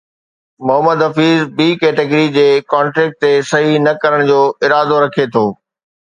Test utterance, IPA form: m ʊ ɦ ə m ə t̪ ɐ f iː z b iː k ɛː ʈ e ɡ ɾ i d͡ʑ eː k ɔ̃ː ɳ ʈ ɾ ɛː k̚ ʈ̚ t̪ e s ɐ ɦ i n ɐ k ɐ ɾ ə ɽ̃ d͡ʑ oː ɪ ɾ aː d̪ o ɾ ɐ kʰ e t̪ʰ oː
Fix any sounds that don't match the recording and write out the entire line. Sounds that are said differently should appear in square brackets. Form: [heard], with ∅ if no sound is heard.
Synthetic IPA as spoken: m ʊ ɦ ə m ə [d̪] ɐ f iː z b iː k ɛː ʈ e ɡ ɾ i d͡ʑ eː k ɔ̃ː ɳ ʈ ɾ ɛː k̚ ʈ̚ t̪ e s ɐ ɦ i n ɐ k ɐ ɾ ə ɽ̃ d͡ʑ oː ɪ ɾ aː d̪ o ɾ ɐ kʰ e t̪ʰ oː